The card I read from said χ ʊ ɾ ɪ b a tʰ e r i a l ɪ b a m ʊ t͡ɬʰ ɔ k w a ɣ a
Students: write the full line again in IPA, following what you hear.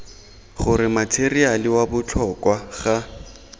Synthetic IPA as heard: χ ʊ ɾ ɪ m a tʰ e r i a l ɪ w a b ʊ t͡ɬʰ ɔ k w a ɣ a

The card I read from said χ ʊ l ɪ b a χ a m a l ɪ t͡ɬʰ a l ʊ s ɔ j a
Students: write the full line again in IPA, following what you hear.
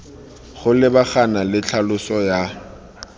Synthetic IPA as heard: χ ʊ l ɪ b a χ a n a l ɪ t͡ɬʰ a l ʊ s ɔ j a

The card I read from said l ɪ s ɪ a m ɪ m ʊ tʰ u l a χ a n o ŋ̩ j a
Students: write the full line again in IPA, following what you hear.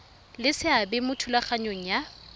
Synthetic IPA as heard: l ɪ s ɪ a b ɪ m ʊ tʰ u l a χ a ɲ o ŋ̩ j a

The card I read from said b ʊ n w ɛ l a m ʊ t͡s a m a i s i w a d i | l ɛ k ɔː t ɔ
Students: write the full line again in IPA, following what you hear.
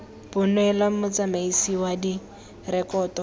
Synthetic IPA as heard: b ʊ n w ɛ l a m ʊ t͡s a m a i s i w a d i | r ɛ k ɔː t ɔ

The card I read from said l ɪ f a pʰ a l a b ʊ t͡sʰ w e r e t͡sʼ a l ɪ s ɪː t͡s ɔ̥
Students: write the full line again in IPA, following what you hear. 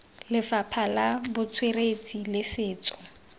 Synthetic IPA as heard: l ɪ f a pʰ a l a b ʊ t͡sʰ w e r e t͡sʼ i l ɪ s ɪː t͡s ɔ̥

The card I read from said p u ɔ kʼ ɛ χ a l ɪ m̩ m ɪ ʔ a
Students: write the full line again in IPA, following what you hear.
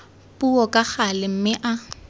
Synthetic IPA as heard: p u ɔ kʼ a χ a l ɪ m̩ m ɪ ʔ a

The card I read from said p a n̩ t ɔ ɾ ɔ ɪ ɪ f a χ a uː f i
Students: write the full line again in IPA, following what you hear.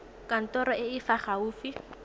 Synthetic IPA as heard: k a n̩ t ɔ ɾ ɔ ɪ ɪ f a χ a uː f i

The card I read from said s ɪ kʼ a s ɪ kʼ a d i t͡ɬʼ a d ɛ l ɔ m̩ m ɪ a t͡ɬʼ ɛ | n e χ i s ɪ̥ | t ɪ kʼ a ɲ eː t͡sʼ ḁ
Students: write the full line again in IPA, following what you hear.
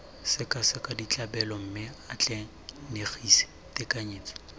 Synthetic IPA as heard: s ɪ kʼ a s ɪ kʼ a d i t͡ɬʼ a b ɛ l ɔ m̩ m ɪ a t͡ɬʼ ɛ | n e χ i s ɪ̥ | t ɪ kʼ a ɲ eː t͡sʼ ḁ

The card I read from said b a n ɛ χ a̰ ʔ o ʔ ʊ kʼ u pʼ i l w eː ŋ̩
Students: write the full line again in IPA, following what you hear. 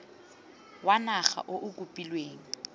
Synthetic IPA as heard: w a n a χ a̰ ʔ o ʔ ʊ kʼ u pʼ i l w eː ŋ̩

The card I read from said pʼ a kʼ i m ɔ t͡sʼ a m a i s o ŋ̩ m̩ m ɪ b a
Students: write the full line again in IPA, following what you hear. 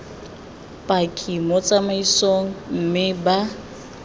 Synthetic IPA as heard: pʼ a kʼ i m ɔ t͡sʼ a m a i s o ŋ̩ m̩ m ɪ b a

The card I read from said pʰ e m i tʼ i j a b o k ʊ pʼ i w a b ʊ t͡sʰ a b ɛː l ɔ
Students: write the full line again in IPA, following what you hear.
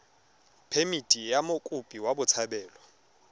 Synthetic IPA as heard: pʰ e m i tʼ i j a m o kʼ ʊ pʼ i w a b ʊ t͡sʰ a b ɛː l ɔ

